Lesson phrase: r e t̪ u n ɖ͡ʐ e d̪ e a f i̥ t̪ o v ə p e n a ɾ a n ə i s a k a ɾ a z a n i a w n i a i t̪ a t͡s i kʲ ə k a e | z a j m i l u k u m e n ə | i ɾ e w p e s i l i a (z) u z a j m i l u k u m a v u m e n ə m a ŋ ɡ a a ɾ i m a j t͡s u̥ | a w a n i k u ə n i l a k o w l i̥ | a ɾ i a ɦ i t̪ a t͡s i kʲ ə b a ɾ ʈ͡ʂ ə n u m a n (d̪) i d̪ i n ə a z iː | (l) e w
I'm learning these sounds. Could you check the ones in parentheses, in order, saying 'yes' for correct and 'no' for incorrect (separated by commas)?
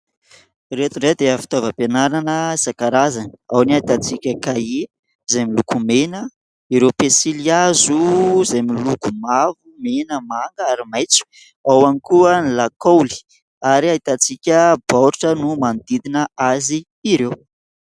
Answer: yes, yes, no